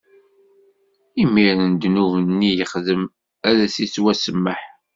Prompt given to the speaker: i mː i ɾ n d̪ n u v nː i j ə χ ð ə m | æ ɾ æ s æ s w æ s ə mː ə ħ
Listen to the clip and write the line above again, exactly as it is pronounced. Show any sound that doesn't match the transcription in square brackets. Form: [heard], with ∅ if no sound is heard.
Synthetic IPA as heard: i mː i ɾ n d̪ n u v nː i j ə χ ð ə m | æ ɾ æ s [i] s w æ s ə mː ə ħ